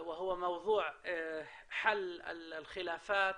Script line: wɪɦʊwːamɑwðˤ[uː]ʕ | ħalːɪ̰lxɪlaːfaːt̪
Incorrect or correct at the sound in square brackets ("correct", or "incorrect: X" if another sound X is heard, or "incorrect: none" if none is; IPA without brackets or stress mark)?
correct